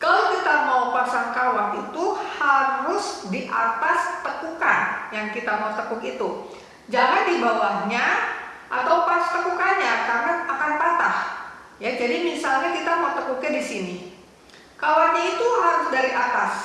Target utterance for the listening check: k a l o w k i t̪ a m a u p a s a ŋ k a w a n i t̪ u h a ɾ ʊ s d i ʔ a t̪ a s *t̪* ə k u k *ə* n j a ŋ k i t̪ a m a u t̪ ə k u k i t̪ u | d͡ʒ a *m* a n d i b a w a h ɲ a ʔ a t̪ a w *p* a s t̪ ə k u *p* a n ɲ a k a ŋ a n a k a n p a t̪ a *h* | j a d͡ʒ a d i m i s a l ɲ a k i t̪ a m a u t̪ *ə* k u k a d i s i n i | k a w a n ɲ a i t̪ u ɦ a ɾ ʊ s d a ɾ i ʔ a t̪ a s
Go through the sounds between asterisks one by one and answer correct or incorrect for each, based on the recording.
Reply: correct, incorrect: a, incorrect: ŋ, correct, incorrect: k, correct, correct

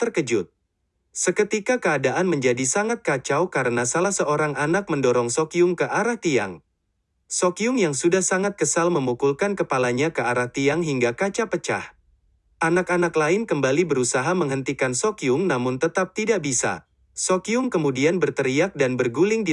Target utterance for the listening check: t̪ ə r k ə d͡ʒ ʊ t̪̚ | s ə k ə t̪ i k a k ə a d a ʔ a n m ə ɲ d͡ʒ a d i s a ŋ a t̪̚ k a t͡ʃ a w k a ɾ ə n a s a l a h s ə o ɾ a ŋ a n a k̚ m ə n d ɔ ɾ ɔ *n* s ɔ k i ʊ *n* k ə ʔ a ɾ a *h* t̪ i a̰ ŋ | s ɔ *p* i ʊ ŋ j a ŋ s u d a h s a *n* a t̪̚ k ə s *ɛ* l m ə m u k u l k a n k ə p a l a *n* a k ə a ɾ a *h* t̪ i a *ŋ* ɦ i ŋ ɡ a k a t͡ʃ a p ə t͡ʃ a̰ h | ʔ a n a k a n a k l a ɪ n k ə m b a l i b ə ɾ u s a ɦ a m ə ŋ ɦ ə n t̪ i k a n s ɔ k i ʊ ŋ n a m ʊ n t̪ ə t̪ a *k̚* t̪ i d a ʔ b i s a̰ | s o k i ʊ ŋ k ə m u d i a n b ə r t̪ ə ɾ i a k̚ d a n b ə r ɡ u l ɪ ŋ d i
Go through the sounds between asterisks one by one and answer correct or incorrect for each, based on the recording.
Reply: incorrect: ŋ, incorrect: ŋ, correct, incorrect: k, incorrect: ŋ, incorrect: a, incorrect: ɲ, correct, correct, incorrect: p̚

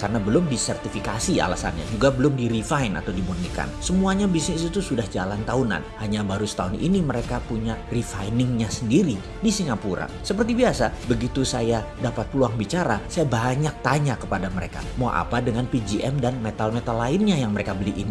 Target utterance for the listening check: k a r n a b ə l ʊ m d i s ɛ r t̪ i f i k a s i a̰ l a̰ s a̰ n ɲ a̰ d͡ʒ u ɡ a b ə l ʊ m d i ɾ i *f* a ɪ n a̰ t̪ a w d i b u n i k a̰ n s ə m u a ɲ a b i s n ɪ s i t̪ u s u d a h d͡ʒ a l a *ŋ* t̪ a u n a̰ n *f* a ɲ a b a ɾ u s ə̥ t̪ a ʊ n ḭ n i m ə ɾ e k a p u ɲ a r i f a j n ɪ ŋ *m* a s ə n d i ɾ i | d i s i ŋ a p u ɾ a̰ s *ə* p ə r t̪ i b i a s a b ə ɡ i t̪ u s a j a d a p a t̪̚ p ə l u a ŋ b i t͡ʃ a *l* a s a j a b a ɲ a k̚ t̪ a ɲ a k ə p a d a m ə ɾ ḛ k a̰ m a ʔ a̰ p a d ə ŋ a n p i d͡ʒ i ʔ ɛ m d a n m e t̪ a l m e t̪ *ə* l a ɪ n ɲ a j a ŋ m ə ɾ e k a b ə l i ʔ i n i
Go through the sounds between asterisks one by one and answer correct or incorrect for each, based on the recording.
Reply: correct, incorrect: n, incorrect: h, incorrect: ɲ, correct, incorrect: ɾ, incorrect: a

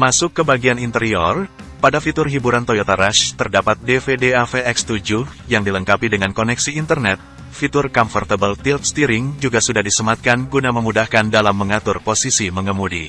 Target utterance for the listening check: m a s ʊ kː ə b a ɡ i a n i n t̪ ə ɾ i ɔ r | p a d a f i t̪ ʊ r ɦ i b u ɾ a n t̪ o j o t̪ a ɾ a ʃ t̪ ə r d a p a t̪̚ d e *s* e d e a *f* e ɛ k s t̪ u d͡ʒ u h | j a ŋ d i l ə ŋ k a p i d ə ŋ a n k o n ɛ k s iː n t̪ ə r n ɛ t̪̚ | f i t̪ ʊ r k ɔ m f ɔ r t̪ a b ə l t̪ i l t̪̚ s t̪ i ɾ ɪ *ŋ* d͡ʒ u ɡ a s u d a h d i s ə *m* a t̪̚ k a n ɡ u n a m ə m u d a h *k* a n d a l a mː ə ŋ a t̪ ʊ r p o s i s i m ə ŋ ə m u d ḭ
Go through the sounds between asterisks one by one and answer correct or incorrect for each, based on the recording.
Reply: incorrect: f, correct, correct, correct, correct

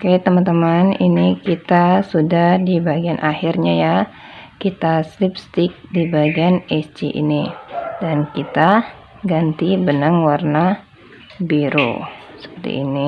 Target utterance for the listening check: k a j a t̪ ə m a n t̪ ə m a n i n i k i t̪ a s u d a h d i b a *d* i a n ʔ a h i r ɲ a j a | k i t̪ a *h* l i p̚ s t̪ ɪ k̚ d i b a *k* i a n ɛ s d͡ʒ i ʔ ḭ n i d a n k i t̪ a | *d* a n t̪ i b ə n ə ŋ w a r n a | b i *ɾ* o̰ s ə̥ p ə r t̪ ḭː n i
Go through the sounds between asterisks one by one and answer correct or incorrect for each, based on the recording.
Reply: incorrect: ɡ, incorrect: s, incorrect: ɡ, incorrect: ɡ, correct

